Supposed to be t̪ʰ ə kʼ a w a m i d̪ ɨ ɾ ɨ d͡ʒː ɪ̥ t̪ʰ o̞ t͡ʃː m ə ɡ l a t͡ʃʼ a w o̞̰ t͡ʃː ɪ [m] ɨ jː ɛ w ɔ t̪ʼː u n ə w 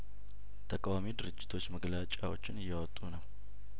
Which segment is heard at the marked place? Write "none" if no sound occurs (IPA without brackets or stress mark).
n